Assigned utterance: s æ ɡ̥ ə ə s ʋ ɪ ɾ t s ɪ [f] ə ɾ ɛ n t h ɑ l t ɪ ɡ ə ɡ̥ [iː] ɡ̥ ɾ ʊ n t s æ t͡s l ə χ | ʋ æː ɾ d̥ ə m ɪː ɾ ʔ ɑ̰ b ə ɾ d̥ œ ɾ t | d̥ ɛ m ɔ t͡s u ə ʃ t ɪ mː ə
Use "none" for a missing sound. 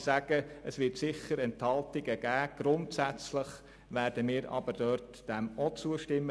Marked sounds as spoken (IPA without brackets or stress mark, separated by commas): χ, æː